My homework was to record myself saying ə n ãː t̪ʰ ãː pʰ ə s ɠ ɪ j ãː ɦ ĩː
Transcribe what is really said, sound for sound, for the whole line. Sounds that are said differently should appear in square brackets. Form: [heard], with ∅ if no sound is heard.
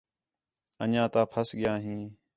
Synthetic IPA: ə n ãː [t̪] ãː pʰ ə s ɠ ɪ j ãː ɦ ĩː

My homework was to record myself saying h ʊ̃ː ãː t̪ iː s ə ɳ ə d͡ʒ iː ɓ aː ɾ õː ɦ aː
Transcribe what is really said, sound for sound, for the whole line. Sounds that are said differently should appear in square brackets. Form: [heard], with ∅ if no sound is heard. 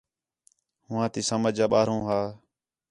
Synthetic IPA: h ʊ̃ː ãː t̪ iː s ə [m] ə d͡ʒ [aː] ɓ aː ɾ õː ɦ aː

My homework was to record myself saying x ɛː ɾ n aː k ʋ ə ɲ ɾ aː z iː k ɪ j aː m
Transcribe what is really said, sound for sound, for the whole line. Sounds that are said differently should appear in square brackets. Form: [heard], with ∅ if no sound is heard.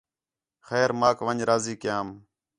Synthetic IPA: x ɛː ɾ [m] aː k ʋ ə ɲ ɾ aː z iː k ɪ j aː m

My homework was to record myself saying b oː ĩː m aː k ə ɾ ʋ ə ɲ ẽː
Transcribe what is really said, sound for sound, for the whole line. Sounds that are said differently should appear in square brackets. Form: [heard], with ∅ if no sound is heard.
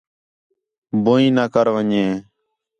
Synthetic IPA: b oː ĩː [n] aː k ə ɾ ʋ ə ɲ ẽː

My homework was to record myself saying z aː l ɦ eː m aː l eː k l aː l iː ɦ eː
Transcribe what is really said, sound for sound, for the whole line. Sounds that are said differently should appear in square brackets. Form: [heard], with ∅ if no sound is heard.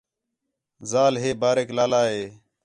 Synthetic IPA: z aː l ɦ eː [b] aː [ɾ] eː k l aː l [aː] ɦ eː

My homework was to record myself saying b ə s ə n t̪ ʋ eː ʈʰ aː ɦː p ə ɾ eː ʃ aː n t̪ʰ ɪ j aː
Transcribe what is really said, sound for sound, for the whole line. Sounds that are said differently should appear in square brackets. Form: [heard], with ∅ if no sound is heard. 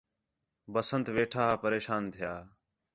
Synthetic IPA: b ə s ə n t̪ ʋ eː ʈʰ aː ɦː p ə ɾ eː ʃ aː n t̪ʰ ɪ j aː

